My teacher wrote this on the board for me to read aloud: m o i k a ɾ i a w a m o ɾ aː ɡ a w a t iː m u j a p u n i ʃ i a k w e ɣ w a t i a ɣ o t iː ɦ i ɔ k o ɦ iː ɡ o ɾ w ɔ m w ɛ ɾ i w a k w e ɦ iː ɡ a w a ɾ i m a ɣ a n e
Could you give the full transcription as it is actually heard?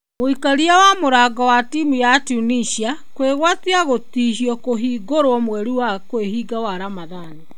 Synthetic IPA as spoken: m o i k a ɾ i a w a m o ɾ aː ɡ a w a t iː m u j a t u n i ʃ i a k w e ɣ w a t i a ɣ o t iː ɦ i ɔ k o ɦ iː ɡ o ɾ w ɔ m w ɛ ɾ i w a k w e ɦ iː ɡ a w a ɾ a m a ð a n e